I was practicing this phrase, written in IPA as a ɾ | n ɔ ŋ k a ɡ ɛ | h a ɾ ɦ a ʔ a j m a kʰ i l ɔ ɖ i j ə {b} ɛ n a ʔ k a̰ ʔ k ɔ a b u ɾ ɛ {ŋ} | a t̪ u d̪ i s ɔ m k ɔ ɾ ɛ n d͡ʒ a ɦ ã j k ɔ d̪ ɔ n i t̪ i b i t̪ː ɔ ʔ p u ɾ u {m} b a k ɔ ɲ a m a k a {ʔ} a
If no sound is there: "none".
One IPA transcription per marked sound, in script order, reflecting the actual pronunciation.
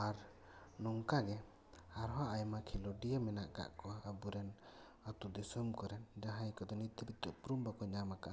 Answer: m, n, m, ʔ

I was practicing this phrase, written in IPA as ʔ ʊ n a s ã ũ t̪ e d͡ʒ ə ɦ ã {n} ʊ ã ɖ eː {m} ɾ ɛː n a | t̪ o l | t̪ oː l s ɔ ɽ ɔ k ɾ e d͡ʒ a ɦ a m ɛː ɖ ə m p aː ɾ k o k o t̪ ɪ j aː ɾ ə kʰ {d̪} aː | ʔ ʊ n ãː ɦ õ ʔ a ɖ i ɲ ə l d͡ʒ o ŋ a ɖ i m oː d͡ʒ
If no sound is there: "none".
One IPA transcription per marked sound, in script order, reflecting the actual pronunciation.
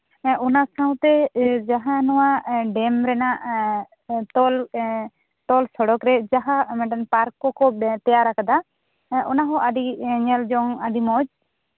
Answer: n, m, d̪

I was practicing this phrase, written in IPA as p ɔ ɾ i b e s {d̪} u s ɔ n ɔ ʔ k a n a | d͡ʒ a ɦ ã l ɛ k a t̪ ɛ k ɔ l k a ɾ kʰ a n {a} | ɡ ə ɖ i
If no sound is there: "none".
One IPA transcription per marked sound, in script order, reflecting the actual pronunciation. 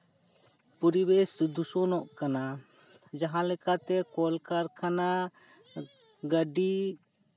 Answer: d̪, a

